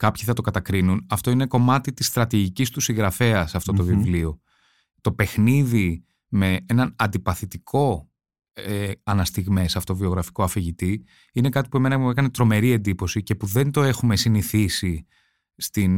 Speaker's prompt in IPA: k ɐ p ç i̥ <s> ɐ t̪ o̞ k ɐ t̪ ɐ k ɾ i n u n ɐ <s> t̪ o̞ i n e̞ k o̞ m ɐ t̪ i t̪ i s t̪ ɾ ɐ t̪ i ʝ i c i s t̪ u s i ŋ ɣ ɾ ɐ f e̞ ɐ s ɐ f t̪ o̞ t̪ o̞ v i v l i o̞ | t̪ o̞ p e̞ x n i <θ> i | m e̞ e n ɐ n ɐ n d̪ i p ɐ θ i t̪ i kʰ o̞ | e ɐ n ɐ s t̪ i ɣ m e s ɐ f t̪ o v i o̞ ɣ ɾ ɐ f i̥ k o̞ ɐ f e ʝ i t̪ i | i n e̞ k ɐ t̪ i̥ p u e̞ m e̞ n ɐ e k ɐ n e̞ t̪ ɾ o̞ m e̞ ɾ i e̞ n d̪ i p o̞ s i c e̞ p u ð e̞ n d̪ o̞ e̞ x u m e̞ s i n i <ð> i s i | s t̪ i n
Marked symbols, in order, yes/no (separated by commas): no, no, no, no